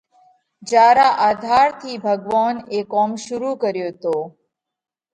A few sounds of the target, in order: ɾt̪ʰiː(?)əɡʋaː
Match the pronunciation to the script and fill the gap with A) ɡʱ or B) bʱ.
B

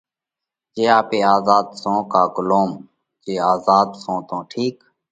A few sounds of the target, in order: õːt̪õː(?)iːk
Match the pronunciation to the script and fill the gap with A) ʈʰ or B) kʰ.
A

